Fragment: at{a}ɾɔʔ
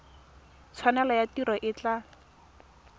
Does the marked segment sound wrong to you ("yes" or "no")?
yes